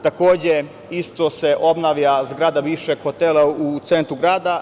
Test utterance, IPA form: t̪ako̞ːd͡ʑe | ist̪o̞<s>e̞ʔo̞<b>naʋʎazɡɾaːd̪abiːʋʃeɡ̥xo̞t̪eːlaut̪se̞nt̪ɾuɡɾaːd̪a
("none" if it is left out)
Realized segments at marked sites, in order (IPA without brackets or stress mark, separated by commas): s, b